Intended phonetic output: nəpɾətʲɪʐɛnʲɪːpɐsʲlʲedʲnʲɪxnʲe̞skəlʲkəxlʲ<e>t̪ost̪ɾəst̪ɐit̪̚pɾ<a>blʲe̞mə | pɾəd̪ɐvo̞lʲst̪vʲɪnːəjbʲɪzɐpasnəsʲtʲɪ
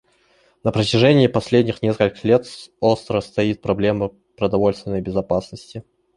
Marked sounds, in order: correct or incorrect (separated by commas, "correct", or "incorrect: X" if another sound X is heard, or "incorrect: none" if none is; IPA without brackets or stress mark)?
correct, incorrect: ɐ